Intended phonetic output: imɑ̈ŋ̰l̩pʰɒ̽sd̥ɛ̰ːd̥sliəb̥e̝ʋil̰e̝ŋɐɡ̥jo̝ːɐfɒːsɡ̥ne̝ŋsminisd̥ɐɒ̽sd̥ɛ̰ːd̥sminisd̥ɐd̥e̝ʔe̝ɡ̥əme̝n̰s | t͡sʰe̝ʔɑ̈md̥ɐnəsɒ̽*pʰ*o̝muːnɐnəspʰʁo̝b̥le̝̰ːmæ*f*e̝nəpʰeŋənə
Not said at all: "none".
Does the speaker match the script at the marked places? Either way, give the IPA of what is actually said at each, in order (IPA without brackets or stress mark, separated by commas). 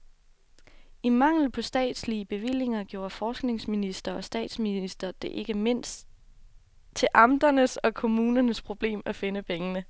kʰ, f